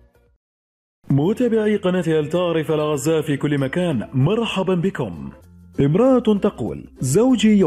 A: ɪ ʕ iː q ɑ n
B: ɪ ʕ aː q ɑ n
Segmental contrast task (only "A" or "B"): A